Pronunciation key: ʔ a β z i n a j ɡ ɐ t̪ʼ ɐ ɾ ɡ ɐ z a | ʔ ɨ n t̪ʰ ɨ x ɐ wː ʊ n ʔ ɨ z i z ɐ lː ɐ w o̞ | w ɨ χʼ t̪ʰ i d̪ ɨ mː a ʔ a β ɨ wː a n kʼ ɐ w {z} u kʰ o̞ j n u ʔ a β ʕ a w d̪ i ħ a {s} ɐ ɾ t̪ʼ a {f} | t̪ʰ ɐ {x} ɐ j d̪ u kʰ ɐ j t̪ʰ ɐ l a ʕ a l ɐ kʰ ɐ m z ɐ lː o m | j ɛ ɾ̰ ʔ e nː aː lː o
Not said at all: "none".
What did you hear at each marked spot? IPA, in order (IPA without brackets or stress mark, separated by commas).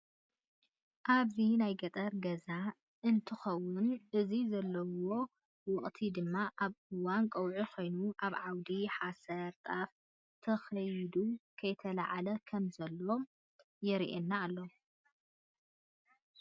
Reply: ʕ, s, f, x